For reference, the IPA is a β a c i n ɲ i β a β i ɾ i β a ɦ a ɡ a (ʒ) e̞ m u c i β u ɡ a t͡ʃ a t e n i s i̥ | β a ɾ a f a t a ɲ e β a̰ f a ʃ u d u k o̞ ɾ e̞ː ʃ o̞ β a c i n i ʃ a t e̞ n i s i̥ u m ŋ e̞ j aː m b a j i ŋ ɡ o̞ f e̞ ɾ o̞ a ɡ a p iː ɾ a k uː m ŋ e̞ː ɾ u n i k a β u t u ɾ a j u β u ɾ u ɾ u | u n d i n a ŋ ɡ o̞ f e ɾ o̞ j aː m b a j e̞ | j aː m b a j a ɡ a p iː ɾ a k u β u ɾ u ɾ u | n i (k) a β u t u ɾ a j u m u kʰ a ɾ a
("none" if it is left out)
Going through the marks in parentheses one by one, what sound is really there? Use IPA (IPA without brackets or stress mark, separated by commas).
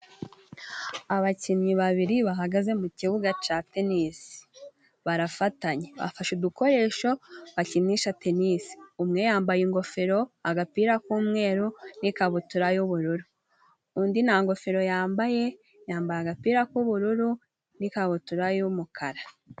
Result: z, k